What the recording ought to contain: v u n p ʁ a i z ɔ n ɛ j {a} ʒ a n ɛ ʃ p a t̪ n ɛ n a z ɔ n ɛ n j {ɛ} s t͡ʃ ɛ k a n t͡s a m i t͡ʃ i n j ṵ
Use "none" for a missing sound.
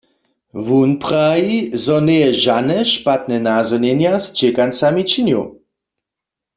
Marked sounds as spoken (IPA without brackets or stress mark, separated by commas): ɛ, a